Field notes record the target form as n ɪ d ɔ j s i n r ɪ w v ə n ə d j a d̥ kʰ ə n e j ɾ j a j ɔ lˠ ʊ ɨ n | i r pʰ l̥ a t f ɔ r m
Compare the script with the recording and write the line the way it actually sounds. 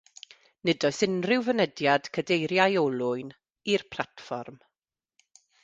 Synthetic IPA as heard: n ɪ d ɔ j s ɪ n r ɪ w v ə n ə d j a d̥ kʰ ə d e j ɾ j a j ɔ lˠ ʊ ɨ n | i r pʰ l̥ a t f ɔ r m